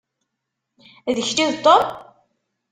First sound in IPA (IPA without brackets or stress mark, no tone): ð